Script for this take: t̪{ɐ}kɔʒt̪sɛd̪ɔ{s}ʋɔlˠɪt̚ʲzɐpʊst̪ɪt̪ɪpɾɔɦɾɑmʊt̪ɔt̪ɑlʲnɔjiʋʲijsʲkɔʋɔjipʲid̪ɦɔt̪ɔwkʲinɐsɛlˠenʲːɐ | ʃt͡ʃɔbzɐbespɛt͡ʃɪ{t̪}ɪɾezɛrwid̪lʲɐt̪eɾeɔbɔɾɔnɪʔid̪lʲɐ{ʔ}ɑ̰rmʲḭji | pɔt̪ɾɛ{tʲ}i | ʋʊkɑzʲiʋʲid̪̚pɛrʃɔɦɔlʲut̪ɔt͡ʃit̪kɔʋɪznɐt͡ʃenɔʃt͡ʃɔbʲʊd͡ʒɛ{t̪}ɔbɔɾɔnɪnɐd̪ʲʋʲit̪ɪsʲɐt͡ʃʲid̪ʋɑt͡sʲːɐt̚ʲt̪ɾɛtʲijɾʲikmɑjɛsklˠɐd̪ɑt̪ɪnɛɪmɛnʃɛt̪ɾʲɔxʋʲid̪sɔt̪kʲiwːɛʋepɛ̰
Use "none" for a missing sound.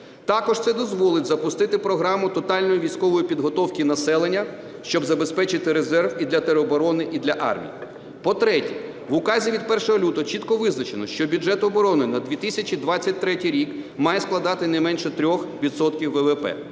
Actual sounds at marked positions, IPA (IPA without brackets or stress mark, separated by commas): ɑ, z, t̪, ʔ, tʲ, t̪